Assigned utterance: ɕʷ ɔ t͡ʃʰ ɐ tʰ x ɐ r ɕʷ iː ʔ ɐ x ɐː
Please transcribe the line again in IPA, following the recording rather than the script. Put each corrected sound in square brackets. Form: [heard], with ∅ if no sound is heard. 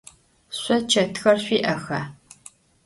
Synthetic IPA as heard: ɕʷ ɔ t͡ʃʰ ɐ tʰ x ɐ r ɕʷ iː ʔ ɐ x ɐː

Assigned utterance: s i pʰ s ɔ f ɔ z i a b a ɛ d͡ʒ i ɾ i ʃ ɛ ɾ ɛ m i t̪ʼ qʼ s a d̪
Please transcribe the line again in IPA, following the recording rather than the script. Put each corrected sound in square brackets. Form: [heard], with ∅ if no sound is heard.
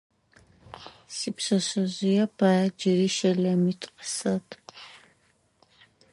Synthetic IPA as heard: s i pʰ s ɔ [s] ɔ z i a b a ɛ d͡ʒ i ɾ i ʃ ɛ [l] ɛ m i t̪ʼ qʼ s a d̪

